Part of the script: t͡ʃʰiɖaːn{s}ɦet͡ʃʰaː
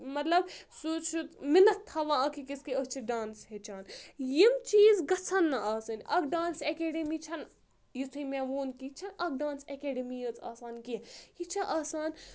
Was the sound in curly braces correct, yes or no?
yes